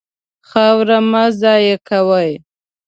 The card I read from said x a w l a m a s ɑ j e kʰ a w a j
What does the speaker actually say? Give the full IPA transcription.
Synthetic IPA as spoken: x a w ɾ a m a z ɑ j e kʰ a w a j